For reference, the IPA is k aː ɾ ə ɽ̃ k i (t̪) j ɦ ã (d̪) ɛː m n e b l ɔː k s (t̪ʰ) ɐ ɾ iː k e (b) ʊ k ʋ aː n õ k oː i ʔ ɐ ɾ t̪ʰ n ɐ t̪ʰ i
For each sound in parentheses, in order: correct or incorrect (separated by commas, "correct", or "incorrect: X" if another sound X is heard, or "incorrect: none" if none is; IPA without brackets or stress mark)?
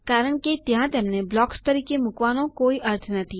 correct, incorrect: t̪, incorrect: t̪, incorrect: m